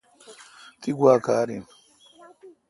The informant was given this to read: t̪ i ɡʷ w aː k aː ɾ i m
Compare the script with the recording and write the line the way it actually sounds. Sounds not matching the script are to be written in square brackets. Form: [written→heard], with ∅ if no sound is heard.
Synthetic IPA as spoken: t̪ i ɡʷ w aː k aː ɾ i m